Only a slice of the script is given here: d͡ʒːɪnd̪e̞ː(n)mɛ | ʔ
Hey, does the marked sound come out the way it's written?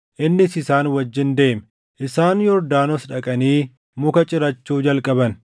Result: no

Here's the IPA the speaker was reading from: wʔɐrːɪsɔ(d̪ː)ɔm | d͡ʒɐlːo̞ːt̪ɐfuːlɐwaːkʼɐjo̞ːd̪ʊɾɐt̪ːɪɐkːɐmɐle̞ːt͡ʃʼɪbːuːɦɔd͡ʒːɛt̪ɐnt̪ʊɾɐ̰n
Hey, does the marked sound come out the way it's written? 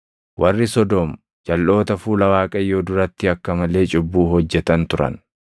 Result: no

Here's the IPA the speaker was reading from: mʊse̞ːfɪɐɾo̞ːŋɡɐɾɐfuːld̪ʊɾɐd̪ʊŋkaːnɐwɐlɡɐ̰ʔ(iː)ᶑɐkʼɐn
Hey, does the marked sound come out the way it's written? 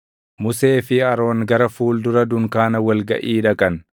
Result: yes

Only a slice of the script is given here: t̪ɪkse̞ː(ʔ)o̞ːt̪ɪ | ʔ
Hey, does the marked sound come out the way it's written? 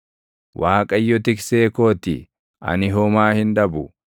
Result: no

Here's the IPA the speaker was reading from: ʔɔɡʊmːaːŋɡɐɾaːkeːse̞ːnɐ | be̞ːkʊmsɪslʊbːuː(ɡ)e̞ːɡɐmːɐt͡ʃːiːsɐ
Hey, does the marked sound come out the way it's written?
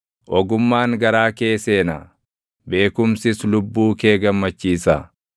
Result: no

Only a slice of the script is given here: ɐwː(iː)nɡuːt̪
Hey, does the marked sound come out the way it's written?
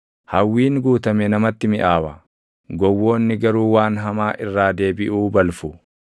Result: yes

